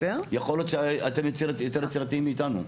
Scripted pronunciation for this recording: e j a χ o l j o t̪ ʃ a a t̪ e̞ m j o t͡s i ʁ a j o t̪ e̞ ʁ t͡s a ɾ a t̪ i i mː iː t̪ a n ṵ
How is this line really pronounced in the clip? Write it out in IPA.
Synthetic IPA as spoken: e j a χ o l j o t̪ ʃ e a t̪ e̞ m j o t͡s i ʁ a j o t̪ e̞ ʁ t͡s i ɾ a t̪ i i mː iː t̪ a n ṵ